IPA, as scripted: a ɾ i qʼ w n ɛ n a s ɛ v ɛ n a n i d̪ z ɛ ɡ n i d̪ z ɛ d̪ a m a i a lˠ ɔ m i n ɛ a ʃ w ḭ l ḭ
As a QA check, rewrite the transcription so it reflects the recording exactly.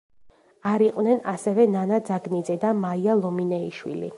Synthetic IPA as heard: a ɾ i qʼ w n ɛ n a s ɛ v ɛ n a n a d̪ z a ɡ n i d̪ z ɛ d̪ a m a i a lˠ ɔ m i n ɛ i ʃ w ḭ l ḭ

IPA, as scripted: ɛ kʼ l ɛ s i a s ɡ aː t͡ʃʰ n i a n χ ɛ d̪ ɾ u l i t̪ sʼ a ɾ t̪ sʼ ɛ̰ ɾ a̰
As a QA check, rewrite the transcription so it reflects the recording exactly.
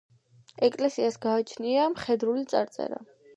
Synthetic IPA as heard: ɛ kʼ l ɛ s i a s ɡ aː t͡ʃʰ n i a m χ ɛ d̪ ɾ u l i t̪ sʼ a ɾ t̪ sʼ ɛ̰ ɾ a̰

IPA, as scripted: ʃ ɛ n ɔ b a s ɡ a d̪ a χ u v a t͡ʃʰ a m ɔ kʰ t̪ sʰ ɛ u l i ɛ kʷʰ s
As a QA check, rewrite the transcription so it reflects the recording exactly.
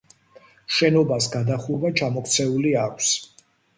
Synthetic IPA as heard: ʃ ɛ n ɔ b a s ɡ a d̪ a χ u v a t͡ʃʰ a m ɔ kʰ t̪ sʰ ɛ u l i a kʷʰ s

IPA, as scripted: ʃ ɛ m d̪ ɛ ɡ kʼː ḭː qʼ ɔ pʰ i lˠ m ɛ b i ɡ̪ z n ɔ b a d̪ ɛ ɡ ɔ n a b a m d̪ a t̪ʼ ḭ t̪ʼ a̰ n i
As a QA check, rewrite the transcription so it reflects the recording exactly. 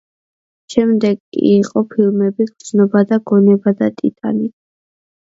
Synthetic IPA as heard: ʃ ɛ m d̪ ɛ ɡ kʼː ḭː qʼ ɔ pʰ i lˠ m ɛ b i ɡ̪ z n ɔ b a d̪ a ɡ ɔ n ɛ b a d̪ a t̪ʼ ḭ t̪ʼ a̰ n i

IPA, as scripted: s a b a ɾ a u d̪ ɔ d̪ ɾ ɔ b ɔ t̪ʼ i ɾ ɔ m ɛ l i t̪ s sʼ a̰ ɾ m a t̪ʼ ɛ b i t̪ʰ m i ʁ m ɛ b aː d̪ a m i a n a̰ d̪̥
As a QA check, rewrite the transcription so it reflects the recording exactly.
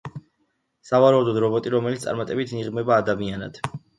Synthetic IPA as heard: s a v a ɾ a u d̪ ɔ d̪ ɾ ɔ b ɔ t̪ʼ i ɾ ɔ m ɛ l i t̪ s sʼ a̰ ɾ m a t̪ʼ ɛ b i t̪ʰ n i ʁ m ɛ b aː d̪ a m i a n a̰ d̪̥

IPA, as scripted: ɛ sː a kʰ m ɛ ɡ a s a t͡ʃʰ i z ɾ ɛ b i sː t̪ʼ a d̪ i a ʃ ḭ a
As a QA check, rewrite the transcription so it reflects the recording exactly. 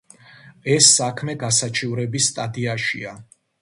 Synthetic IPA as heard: ɛ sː a kʰ m ɛ ɡ a s a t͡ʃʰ i v ɾ ɛ b i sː t̪ʼ a d̪ i a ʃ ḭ a

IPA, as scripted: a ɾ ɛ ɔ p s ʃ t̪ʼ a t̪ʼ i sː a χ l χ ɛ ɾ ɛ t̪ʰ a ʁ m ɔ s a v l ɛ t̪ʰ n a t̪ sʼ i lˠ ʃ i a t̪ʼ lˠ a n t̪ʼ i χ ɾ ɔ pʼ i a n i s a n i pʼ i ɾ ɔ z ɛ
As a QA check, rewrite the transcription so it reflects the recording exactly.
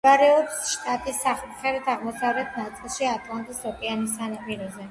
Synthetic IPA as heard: a ɾ ɛ ɔ p s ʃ t̪ʼ a t̪ʼ i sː a χ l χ ɛ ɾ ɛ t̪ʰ a ʁ m ɔ s a v l ɛ t̪ʰ n a t̪ sʼ i lˠ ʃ i a t̪ʼ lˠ a n t̪ʼ i s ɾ ɔ pʼ i a n i s a n a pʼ i ɾ ɔ z ɛ

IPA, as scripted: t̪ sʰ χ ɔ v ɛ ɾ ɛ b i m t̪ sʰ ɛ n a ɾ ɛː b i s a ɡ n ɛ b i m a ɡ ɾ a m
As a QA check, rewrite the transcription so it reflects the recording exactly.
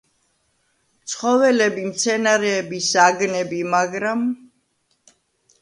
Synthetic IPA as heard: t̪ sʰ χ ɔ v ɛ l ɛ b i m t̪ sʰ ɛ n a ɾ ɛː b i s a ɡ n ɛ b i m a ɡ ɾ a m

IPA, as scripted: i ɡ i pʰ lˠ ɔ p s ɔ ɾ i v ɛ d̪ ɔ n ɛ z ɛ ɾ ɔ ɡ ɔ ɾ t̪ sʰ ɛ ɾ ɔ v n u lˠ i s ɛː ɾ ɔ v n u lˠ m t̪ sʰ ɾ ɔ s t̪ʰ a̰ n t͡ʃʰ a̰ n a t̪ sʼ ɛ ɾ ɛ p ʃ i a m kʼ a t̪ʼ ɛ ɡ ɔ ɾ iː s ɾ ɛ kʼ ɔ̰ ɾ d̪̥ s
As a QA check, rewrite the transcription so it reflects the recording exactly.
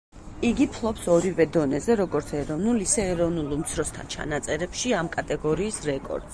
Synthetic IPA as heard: i ɡ i pʰ lˠ ɔ p s ɔ ɾ i v ɛ d̪ ɔ n ɛ z ɛ ɾ ɔ ɡ ɔ ɾ t̪ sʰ ɛ ɾ ɔ v n u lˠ i s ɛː ɾ ɔ v n u lˠ m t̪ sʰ ɾ ɔ s t̪ʰ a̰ n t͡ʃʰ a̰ n a t̪ sʼ ɛ ɾ ɛ p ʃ i a m kʼ a t̪ʼ ɛ ɡ ɔ ɾ iː s ɾ ɛ kʼ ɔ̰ ɾ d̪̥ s

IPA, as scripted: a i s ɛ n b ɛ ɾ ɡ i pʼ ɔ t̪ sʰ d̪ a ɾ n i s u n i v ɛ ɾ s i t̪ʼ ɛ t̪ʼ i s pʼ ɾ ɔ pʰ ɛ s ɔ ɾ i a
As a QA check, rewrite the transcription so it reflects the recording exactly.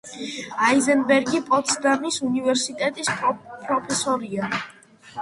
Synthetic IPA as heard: a i z ɛ n b ɛ ɾ ɡ i pʼ ɔ t̪ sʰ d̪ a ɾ n i s u n i v ɛ ɾ s i t̪ʼ ɛ t̪ʼ i s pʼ ɾ ɔ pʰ ɛ s ɔ ɾ i a

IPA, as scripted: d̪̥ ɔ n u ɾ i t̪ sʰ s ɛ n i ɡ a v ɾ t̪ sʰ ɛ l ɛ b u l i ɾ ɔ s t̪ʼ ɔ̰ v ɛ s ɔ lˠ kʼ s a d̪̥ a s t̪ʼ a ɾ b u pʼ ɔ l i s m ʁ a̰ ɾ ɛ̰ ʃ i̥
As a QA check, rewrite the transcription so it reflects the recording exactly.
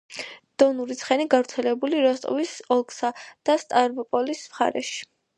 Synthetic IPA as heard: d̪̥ ɔ n u ɾ i t̪ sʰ χ ɛ n i ɡ a v ɾ t̪ sʰ ɛ l ɛ b u l i ɾ ɔ s t̪ʼ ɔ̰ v i s ɔ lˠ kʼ s a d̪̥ a s t̪ʼ a ɾ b ɔ pʼ ɔ l i s m χ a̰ ɾ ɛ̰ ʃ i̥

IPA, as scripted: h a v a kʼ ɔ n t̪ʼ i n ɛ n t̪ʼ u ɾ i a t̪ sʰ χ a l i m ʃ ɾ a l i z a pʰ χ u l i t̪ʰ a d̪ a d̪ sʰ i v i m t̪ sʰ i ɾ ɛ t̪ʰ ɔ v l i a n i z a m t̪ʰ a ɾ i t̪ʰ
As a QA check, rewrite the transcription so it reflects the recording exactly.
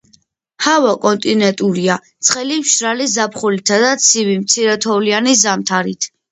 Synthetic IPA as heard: h a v a kʼ ɔ n t̪ʼ i n ɛ n t̪ʼ u ɾ i a t̪ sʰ χ ɛ l i m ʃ ɾ a l i z a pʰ χ u l i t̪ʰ a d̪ a t̪ sʰ i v i m t̪ sʰ i ɾ ɛ t̪ʰ ɔ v l i a n i z a m t̪ʰ a ɾ i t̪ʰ

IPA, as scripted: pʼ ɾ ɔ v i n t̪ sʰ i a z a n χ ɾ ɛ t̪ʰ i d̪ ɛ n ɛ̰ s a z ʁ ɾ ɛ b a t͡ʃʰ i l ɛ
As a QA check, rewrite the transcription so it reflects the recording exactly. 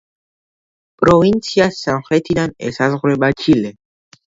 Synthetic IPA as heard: pʼ ɾ ɔ v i n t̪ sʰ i a s a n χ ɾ ɛ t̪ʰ i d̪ a n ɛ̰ s a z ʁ ɾ ɛ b a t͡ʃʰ i l ɛ

